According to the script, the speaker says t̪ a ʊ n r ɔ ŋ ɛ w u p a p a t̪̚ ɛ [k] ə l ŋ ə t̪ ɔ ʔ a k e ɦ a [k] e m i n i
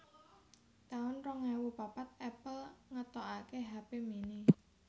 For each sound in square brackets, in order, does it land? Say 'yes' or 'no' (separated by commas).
no, no